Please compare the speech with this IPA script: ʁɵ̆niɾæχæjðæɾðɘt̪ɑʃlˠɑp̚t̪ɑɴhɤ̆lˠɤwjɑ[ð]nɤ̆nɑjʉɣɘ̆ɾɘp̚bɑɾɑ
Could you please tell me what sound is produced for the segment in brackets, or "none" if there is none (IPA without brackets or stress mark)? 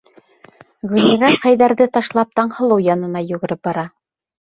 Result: none